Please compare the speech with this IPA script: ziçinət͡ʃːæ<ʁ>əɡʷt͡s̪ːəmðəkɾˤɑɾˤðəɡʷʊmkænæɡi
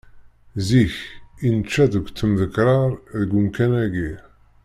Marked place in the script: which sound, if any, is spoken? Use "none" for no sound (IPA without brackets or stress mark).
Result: ð